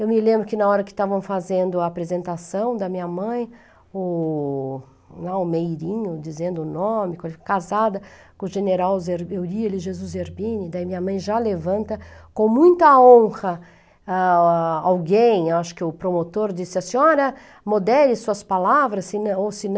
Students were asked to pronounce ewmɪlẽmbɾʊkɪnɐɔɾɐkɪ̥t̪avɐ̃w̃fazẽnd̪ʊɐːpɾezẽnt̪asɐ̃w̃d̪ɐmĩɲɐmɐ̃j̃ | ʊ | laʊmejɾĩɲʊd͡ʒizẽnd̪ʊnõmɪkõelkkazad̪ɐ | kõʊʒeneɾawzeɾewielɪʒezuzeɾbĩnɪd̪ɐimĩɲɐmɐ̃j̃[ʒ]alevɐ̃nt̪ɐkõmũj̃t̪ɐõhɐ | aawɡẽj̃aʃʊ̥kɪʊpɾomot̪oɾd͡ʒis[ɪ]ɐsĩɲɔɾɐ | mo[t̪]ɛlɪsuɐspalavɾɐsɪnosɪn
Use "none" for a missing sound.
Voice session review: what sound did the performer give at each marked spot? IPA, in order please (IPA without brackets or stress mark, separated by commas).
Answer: ʒ, ɪ, d̪